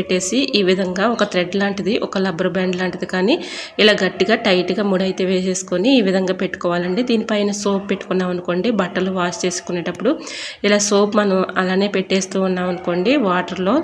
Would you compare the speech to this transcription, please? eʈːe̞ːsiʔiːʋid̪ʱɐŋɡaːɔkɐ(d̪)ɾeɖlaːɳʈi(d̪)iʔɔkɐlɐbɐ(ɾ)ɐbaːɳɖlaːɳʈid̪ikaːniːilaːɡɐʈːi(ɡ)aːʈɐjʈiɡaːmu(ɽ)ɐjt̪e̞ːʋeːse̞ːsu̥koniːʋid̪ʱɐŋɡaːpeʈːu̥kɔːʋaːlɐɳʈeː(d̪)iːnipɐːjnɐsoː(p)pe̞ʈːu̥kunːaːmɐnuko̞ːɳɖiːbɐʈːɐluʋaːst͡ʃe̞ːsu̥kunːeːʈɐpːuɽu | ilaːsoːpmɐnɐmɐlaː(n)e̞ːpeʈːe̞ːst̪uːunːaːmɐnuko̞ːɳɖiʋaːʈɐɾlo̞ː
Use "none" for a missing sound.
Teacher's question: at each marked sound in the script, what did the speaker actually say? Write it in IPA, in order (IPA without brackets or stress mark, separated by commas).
t̪, d̪, ɾ, ɡ, ɽ, d̪, p, n